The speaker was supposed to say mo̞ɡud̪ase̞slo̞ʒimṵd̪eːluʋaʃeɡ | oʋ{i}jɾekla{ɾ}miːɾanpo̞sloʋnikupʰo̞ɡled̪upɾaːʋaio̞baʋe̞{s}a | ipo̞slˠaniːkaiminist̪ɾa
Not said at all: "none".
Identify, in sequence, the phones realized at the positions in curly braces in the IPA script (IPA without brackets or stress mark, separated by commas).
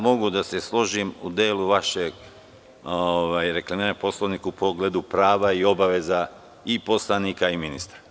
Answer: a, none, z